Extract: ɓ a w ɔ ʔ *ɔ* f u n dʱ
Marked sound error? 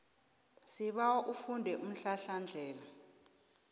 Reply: yes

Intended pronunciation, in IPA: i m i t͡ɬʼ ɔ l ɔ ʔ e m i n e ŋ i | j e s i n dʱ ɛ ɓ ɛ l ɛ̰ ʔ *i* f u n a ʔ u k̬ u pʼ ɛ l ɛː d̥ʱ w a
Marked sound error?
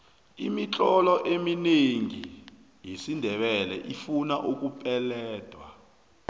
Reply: no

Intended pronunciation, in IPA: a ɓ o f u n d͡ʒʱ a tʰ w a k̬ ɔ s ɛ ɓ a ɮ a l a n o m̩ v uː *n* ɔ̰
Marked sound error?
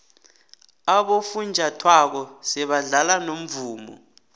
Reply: yes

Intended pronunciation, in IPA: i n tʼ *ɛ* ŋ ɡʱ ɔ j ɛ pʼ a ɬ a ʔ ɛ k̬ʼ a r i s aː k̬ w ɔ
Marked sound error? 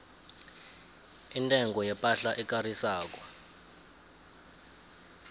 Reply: no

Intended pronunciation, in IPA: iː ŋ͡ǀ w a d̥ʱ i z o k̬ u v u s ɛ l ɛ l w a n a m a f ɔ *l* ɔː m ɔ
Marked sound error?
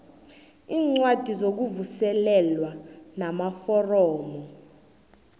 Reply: yes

